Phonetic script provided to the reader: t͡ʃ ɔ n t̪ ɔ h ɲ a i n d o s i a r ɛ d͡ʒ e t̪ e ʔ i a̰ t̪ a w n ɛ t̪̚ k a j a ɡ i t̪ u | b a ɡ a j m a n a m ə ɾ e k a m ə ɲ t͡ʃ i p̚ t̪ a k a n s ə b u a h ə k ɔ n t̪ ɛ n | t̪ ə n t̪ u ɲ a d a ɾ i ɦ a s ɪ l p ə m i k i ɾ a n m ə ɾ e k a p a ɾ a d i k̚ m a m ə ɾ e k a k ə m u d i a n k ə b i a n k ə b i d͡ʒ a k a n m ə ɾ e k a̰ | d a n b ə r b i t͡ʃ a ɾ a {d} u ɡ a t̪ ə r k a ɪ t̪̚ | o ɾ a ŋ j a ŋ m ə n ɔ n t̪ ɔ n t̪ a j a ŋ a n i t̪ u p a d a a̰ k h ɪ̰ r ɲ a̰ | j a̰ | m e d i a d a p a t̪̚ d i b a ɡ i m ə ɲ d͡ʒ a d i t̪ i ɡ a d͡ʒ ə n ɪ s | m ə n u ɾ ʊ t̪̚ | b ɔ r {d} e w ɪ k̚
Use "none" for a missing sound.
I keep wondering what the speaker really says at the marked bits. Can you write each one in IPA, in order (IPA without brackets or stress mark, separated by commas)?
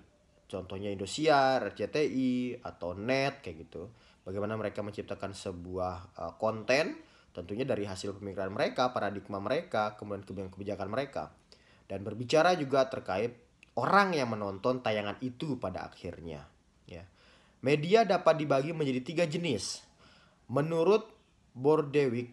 d͡ʒ, d